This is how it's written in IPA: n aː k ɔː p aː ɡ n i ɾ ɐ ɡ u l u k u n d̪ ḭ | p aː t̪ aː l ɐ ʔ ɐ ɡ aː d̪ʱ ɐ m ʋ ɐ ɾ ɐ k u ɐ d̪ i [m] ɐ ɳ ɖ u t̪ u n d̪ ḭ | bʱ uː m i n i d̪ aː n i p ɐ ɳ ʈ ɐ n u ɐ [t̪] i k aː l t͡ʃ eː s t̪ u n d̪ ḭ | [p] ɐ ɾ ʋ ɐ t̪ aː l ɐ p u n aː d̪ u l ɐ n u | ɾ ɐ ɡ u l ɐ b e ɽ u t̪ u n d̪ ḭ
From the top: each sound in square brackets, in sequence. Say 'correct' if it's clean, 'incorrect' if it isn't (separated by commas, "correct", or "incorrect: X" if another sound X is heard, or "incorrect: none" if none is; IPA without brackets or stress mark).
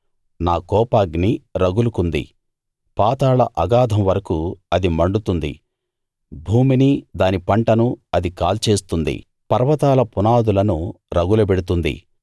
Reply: correct, incorrect: d̪, correct